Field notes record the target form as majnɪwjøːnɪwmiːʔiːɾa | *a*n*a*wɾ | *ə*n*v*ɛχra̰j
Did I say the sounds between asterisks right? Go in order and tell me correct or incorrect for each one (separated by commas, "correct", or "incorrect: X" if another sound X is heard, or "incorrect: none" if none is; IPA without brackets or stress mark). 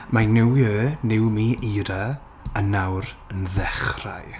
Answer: incorrect: ə, correct, correct, incorrect: ð